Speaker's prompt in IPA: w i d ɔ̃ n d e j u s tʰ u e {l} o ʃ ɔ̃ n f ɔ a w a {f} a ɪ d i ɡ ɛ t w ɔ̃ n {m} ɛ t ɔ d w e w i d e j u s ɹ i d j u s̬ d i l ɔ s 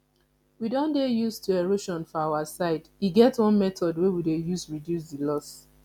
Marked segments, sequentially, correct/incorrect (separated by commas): incorrect, incorrect, correct